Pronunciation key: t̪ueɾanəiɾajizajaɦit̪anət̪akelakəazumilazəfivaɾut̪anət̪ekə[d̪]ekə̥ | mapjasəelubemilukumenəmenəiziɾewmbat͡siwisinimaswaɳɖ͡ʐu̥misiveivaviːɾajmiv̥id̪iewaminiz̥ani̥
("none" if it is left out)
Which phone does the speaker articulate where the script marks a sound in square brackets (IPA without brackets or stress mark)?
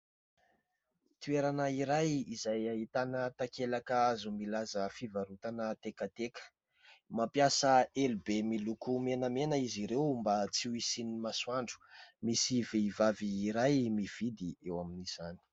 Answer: t̪